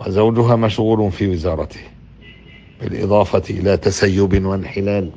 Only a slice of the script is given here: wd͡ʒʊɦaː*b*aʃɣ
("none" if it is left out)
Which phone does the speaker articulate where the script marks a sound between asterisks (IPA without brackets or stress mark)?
m